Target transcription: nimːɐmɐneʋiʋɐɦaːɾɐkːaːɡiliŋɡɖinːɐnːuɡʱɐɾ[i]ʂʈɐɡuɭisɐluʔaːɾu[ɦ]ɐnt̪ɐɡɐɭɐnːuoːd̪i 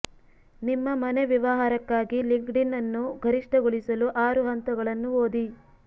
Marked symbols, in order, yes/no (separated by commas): yes, yes